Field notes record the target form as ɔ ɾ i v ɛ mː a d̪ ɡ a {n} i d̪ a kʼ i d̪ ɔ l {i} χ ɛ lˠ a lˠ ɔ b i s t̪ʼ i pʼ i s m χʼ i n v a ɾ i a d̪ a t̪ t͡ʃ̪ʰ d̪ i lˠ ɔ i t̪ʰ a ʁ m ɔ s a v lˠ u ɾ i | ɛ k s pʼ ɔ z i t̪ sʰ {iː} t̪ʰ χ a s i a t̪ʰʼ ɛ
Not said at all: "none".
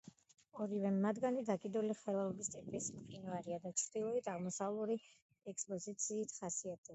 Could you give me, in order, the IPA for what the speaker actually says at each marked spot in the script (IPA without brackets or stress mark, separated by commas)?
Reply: n, i, iː